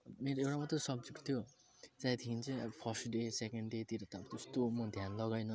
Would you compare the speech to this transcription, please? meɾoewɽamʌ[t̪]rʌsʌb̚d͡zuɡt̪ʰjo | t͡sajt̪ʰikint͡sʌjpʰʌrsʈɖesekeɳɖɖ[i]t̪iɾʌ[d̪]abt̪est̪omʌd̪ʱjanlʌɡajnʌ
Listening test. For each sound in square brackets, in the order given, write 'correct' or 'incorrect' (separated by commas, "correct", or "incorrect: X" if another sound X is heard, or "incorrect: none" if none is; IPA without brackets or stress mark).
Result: correct, incorrect: e, incorrect: t̪